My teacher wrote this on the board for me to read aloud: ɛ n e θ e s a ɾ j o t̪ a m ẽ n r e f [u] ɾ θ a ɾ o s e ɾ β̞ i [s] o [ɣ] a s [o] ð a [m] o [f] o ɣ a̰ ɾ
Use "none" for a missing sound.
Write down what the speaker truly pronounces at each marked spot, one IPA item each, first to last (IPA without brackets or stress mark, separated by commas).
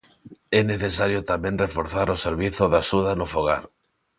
o, θ, ð, u, n, f